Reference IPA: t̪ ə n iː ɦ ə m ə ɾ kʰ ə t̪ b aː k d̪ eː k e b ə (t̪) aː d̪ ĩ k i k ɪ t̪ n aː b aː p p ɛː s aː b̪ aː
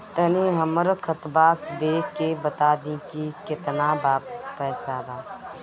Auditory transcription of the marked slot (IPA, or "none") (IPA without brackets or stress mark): t̪